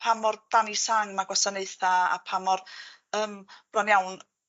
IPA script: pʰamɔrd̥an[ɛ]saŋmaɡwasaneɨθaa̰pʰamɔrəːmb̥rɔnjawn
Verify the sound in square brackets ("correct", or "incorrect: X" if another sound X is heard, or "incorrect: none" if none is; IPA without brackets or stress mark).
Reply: incorrect: i